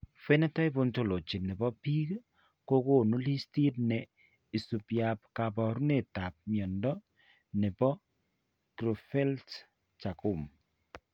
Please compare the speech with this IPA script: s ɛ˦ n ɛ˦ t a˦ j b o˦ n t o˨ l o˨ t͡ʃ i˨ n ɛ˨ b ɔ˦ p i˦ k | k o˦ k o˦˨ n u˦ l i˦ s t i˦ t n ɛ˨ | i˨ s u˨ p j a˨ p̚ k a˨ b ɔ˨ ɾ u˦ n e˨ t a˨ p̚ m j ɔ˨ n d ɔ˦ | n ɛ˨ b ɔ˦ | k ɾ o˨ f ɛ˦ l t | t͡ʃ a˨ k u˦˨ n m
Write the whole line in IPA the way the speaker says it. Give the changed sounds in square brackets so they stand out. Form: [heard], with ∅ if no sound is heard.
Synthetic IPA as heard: [f] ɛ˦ n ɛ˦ t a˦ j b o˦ n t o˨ l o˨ t͡ʃ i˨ n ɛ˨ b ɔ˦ p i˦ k | k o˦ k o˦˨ n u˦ l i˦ s t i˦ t n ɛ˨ | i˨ s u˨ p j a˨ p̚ k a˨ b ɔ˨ ɾ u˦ n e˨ t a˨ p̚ m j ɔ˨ n d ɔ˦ | n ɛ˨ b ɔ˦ | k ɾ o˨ f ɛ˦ l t | t͡ʃ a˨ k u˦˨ [∅] m

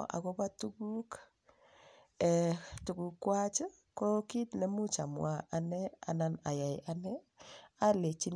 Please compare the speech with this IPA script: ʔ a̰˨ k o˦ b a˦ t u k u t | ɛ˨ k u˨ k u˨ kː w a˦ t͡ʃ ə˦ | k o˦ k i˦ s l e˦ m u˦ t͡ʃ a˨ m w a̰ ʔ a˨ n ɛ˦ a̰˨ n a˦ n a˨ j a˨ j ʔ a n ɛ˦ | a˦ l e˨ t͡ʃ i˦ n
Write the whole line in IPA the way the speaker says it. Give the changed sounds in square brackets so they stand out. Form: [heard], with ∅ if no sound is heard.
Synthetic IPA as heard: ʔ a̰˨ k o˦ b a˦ t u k u [k] | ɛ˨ [t] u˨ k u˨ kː w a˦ t͡ʃ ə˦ | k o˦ k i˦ [t] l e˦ m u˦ t͡ʃ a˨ m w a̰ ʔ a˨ n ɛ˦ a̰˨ n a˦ n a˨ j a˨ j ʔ a n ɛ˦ | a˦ l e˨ t͡ʃ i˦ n

